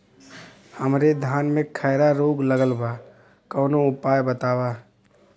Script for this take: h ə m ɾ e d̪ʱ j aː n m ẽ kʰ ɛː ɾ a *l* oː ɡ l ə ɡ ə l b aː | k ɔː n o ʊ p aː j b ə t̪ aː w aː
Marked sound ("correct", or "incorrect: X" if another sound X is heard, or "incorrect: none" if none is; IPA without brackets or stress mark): incorrect: ɾ